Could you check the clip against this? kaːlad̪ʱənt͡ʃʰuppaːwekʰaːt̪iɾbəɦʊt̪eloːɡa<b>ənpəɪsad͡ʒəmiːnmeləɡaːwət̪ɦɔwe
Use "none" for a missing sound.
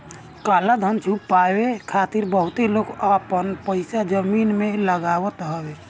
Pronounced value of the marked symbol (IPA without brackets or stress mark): p